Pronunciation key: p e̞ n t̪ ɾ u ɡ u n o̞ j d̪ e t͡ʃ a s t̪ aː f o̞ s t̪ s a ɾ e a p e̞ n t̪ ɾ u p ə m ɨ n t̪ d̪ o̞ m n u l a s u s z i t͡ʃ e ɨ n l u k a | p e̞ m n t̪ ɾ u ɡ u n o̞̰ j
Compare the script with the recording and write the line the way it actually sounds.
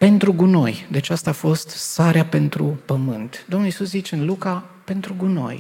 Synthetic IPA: p e̞ n t̪ ɾ u ɡ u n o̞ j d̪ e t͡ʃ a s t̪ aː f o̞ s t̪ s a ɾ e a p e̞ n t̪ ɾ u p ə m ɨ n t̪ d̪ o̞ m n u l i s u s z i t͡ʃ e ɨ n l u k a | p e̞ n t̪ ɾ u ɡ u n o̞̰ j